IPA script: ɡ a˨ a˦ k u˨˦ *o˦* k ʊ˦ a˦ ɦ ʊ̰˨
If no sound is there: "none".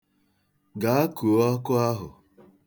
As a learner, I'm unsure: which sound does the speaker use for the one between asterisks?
ɔ˦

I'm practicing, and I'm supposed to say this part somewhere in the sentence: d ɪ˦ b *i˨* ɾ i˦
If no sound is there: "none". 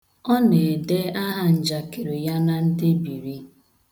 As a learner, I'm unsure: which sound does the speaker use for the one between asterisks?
i˨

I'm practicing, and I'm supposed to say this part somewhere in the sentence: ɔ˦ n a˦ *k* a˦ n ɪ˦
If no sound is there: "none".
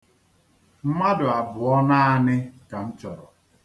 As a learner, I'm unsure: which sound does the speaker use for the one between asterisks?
none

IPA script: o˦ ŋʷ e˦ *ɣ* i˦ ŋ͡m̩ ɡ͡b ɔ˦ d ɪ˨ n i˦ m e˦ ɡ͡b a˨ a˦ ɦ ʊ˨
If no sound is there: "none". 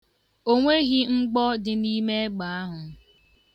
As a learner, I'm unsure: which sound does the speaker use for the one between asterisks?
ɣ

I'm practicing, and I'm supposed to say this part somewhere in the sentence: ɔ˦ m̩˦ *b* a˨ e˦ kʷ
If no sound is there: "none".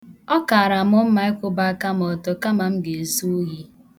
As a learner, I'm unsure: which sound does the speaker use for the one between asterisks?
m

